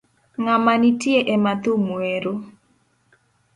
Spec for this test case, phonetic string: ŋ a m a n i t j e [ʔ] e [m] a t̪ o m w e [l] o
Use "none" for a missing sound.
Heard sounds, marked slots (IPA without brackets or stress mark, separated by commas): ʔ, m, ɾ